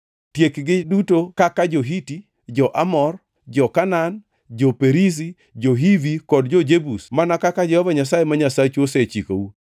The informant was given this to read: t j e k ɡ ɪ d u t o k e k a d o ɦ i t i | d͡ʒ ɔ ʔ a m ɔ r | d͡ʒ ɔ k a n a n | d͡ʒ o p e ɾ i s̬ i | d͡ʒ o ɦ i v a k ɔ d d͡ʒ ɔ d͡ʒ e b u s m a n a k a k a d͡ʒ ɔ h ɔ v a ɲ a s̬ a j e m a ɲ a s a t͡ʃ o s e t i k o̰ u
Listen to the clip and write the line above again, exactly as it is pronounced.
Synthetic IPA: t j e k ɡ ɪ d u t o k a k a d͡ʒ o ɦ i t i | d͡ʒ ɔ ʔ a m ɔ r | d͡ʒ ɔ k a n a n | d͡ʒ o p e ɾ i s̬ i | d͡ʒ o ɦ i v i k ɔ d d͡ʒ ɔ d͡ʒ e b u s m a n a k a k a d͡ʒ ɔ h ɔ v a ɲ a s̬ a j e m a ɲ a s a t͡ʃ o s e t͡ʃ i k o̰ u